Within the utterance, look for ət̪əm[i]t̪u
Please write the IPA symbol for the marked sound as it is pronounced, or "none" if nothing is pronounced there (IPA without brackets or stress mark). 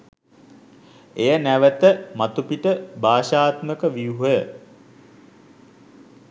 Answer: a